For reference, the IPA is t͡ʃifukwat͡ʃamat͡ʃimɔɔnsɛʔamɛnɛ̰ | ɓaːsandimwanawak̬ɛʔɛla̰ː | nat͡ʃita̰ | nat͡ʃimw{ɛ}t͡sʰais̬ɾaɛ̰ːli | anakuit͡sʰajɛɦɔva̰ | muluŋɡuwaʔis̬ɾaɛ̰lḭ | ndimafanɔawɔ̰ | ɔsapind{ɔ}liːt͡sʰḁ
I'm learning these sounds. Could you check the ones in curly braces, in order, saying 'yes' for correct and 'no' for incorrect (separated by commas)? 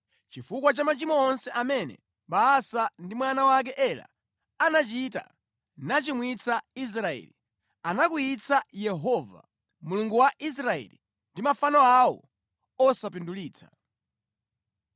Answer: no, no